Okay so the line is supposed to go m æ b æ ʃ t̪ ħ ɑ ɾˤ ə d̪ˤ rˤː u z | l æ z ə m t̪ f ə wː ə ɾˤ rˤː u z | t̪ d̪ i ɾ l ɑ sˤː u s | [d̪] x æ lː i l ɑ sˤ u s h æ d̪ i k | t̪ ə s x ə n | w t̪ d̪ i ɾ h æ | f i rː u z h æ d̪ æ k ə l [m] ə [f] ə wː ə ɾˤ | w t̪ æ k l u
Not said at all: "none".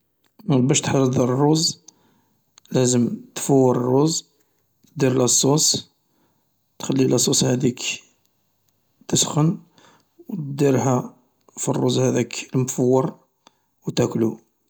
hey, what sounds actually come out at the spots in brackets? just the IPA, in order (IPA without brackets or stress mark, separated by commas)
t̪, m, f